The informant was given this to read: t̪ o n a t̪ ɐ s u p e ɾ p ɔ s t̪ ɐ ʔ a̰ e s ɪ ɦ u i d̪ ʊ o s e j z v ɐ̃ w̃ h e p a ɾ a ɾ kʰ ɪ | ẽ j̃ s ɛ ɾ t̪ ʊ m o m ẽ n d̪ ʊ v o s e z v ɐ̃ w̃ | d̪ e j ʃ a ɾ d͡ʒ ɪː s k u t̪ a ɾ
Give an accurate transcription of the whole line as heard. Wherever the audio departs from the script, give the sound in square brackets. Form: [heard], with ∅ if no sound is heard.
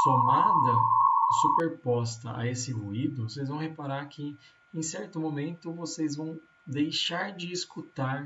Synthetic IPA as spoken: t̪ o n a [d̪] ɐ s u p e ɾ p ɔ s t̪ ɐ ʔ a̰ e s ɪ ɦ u i d̪ ʊ o s e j z v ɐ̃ w̃ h e p a ɾ a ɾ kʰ ɪ | ẽ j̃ s ɛ ɾ t̪ ʊ m o m ẽ n [t̪] ʊ v o s e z v ɐ̃ w̃ | d̪ e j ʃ a ɾ d͡ʒ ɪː s k u t̪ a ɾ

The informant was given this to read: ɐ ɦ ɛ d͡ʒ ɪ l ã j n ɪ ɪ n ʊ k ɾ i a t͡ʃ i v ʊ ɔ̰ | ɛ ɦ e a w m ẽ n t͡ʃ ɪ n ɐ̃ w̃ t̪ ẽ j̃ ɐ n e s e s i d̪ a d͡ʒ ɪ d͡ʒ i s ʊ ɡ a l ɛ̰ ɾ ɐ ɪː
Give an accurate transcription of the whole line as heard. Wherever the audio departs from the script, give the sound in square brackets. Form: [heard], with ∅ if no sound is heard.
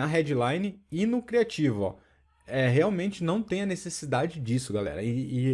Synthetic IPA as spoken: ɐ ɦ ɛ d͡ʒ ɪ l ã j n ɪ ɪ n ʊ k ɾ i a t͡ʃ i v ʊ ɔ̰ | ɛ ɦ e a w m ẽ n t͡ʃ ɪ n ɐ̃ w̃ t̪ ẽ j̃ ɐ n e s e s i d̪ a d͡ʒ ɪ d͡ʒ i s ʊ ɡ a l ɛ̰ ɾ ɐ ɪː

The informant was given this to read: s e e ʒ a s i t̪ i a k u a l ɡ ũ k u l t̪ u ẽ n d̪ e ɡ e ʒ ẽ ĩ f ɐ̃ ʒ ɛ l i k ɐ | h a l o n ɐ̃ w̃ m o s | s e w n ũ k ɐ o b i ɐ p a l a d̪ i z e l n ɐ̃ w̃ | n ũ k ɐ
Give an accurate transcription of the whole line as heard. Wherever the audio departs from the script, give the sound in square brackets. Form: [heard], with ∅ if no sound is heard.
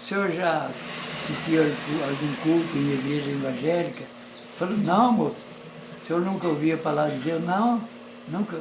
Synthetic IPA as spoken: s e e ʒ a s i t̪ i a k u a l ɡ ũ k u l t̪ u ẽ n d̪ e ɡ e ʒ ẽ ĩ [v] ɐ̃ ʒ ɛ l i k ɐ | [f] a l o n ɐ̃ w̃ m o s | s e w n ũ k ɐ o [v] i ɐ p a l a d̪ i z e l n ɐ̃ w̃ | n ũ k ɐ

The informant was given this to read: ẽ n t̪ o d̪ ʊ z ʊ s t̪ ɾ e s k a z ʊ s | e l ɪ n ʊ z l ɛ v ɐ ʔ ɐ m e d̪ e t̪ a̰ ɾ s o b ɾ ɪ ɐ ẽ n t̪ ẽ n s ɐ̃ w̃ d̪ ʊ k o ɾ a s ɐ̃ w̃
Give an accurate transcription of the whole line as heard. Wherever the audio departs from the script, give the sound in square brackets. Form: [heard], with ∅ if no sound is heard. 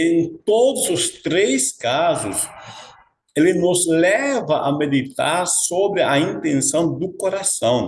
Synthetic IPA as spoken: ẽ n t̪ o d̪ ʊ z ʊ s t̪ ɾ e s k a z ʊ s | e l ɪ n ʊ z l ɛ v ɐ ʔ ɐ m e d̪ [i] t̪ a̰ ɾ s o b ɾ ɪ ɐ [ĩ] n t̪ ẽ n s ɐ̃ w̃ d̪ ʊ k o ɾ a s ɐ̃ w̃

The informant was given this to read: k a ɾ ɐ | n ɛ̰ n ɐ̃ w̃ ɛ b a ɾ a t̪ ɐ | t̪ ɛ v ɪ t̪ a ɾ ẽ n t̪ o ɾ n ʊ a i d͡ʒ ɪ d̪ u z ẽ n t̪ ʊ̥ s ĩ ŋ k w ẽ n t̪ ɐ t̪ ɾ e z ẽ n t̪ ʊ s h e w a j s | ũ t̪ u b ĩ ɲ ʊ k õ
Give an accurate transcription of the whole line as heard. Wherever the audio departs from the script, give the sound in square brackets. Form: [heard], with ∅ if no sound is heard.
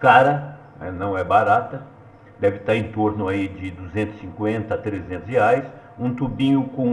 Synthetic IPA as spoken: k a ɾ ɐ | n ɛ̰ n ɐ̃ w̃ ɛ b a ɾ a t̪ ɐ | [d̪] ɛ v ɪ t̪ a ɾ ẽ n t̪ o ɾ n ʊ a i d͡ʒ ɪ d̪ u z ẽ n t̪ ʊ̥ s ĩ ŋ k w ẽ n t̪ ɐ t̪ ɾ e z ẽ n t̪ ʊ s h e [∅] a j s | ũ t̪ u b ĩ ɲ ʊ k õ

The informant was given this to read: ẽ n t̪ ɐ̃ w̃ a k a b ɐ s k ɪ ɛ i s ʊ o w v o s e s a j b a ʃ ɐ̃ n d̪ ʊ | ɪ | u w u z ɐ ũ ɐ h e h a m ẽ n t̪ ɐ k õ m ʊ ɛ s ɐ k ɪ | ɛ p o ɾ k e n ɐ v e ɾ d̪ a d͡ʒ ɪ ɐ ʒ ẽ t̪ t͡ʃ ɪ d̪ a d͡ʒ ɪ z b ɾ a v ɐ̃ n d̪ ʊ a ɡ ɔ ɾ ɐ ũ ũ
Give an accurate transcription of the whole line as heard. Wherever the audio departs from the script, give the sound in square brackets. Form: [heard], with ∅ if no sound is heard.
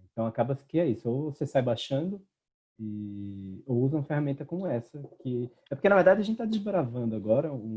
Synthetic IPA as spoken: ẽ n t̪ ɐ̃ w̃ a k a b ɐ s k ɪ ɛ i s ʊ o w v o s e s a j b a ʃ ɐ̃ n d̪ ʊ | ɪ | [o] w u z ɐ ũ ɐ [f] e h a m ẽ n t̪ ɐ k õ m ʊ ɛ s ɐ k ɪ | ɛ p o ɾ k e n ɐ v e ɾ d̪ a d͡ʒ ɪ ɐ ʒ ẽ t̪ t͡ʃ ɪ [t̪] a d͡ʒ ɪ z b ɾ a v ɐ̃ n d̪ ʊ a ɡ ɔ ɾ ɐ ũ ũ

